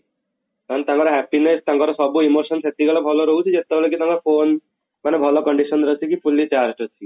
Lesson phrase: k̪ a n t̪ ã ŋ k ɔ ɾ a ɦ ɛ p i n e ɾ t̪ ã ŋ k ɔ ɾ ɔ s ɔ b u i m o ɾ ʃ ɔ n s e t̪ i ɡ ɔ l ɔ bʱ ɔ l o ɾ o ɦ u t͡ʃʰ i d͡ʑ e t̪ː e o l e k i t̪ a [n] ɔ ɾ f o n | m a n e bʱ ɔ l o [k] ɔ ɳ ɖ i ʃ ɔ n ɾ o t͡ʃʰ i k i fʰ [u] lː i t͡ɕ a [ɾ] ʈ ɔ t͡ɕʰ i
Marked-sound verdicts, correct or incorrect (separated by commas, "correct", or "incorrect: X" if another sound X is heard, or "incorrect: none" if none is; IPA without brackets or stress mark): incorrect: ŋ, correct, correct, correct